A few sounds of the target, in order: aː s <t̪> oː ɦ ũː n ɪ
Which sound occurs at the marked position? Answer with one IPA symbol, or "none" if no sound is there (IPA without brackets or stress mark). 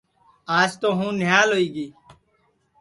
t̪